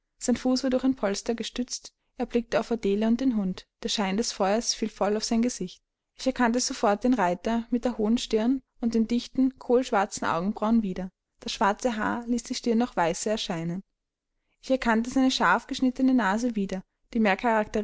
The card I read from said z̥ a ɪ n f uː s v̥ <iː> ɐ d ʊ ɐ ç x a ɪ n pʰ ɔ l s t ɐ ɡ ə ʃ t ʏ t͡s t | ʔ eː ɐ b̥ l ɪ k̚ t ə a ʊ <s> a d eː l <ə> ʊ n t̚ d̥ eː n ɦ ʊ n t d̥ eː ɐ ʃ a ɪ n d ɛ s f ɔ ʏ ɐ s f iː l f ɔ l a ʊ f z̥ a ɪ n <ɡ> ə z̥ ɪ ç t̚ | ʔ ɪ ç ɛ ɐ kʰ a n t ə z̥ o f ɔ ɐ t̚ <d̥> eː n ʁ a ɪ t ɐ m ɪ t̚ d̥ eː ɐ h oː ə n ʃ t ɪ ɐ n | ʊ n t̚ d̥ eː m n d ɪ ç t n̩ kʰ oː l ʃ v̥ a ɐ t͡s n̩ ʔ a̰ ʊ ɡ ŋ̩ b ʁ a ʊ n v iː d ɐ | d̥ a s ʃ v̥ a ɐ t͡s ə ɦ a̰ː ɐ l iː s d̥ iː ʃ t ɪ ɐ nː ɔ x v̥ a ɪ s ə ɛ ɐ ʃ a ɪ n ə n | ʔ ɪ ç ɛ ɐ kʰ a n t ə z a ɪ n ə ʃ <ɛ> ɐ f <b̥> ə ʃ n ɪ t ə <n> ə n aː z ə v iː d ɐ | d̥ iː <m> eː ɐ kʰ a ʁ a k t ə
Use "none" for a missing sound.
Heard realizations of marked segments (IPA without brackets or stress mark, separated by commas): aː, f, ə, ɡ, d̥, a, ɡ̥, n, m